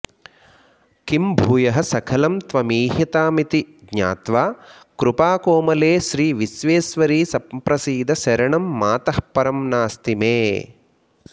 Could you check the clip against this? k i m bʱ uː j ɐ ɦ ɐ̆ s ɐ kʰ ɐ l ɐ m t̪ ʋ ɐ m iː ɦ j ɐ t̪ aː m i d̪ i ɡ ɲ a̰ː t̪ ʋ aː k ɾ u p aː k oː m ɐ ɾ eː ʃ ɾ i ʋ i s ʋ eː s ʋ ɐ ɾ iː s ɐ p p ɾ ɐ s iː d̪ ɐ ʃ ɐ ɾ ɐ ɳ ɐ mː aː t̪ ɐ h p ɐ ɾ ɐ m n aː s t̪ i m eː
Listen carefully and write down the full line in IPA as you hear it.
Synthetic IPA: k i m bʱ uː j ɐ ɦ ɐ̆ s ɐ kʰ ɐ l ɐ m t̪ ʋ ɐ m iː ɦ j ɐ t̪ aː m i t̪ i ɡ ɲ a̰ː t̪ ʋ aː k ɾ u p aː k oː m ɐ l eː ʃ ɾ iː ʋ i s ʋ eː s ʋ ɐ ɾ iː s ɐ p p ɾ ɐ s iː d̪ ɐ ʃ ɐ ɾ ɐ ɳ ɐ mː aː t̪ ɐ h p ɐ ɾ ɐ m n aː s t̪ i m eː